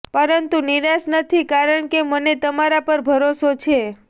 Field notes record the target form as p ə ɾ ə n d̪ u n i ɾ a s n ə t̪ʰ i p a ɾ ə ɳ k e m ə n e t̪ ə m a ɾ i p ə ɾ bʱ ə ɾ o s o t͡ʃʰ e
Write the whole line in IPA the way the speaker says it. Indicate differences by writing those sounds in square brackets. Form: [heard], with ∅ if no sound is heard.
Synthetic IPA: p ə ɾ ə n [t̪] u n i ɾ a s n ə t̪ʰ i [k] a ɾ ə ɳ k e m ə n e t̪ ə m a ɾ [a] p ə ɾ bʱ ə ɾ o s o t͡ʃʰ e

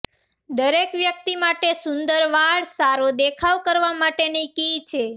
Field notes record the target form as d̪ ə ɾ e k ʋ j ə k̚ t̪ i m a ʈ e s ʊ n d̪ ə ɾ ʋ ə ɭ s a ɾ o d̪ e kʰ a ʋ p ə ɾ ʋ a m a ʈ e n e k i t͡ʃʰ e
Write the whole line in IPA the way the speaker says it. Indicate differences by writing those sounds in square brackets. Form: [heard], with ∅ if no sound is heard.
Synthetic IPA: d̪ ə ɾ e k ʋ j ə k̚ t̪ i m a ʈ e s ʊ n d̪ ə ɾ ʋ [a] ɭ s a ɾ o d̪ e kʰ a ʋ [k] ə ɾ ʋ a m a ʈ e n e k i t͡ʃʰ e

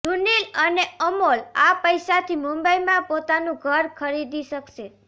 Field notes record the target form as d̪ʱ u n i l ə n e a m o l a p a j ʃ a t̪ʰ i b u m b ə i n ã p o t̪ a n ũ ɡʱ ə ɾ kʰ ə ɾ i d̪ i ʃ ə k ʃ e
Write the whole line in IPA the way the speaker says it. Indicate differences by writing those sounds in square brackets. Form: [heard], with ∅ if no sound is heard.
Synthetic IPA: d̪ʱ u n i l ə n e [ə] m o l a p [ə] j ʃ a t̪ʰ i [m] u m b ə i [m] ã p o t̪ a n ũ ɡʱ ə ɾ kʰ ə ɾ i d̪ i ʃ ə k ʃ e

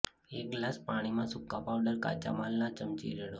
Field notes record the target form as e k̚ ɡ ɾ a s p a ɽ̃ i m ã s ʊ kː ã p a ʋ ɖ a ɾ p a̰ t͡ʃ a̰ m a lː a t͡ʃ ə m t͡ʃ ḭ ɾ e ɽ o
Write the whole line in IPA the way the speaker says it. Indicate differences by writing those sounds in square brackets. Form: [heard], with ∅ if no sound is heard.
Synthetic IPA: e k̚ ɡ [l] a s p a ɽ̃ i m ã s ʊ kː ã p a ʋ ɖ [ə] ɾ [k] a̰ t͡ʃ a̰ m a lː a t͡ʃ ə m t͡ʃ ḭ ɾ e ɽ o

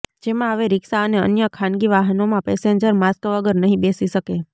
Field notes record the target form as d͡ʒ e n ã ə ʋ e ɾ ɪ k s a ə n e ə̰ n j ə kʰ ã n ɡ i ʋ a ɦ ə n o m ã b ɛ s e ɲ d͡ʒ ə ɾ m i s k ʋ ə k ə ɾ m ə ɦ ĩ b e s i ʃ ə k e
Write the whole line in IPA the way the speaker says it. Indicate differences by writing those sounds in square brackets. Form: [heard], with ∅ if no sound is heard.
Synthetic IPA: d͡ʒ e [m] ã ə ʋ e ɾ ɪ k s a ə n e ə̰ n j ə kʰ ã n ɡ i ʋ a ɦ ə n o m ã [p] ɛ s e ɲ d͡ʒ ə ɾ m [a] s k ʋ ə [ɡ] ə ɾ [n] ə ɦ ĩ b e s i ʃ ə k e

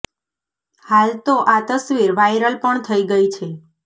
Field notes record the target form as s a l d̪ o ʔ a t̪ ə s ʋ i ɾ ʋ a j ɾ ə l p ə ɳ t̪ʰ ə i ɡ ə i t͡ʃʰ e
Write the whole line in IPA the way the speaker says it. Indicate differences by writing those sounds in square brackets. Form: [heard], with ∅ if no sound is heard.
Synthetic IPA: [h] a l [t̪] o ʔ a t̪ ə s ʋ i ɾ ʋ a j ɾ ə l p ə ɳ t̪ʰ ə i ɡ ə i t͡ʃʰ e

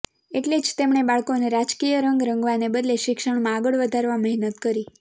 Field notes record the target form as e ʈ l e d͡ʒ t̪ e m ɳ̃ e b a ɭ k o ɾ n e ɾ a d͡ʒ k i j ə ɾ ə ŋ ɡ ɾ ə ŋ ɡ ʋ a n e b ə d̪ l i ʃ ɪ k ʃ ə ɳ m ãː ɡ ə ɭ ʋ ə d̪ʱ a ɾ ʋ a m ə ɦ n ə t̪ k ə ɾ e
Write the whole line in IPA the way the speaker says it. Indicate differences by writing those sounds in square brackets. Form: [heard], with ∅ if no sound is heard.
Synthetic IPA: e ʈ l e d͡ʒ t̪ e m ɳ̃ e b a ɭ k o [∅] n e ɾ a d͡ʒ k i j ə ɾ ə ŋ ɡ ɾ ə ŋ ɡ ʋ a n e b ə d̪ l [e] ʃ ɪ k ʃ ə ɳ m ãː ɡ ə ɭ ʋ ə d̪ʱ a ɾ ʋ a m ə ɦ n ə t̪ k ə ɾ [i]

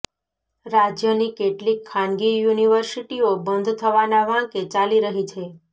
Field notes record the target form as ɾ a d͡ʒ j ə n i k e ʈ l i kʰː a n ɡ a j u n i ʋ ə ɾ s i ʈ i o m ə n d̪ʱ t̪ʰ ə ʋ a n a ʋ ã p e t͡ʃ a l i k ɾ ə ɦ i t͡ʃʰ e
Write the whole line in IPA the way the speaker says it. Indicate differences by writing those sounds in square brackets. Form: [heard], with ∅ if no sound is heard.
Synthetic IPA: ɾ a d͡ʒ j ə n i k e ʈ l i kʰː a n ɡ [i] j u n i ʋ ə ɾ s i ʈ i o [b] ə n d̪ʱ t̪ʰ ə ʋ a n a ʋ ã [k] e t͡ʃ a l i [∅] ɾ ə ɦ i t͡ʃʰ e

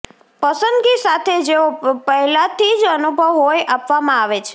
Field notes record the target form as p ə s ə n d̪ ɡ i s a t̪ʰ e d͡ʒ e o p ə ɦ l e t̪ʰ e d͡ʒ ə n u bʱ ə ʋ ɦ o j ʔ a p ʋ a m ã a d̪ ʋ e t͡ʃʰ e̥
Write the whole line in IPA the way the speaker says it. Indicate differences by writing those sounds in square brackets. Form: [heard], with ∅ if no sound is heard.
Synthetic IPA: p ə s ə n d̪ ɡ i s a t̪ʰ e d͡ʒ e o p ə ɦ l [a] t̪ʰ [i] d͡ʒ ə n u bʱ ə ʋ ɦ o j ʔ a p ʋ a m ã a [∅] ʋ e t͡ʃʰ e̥

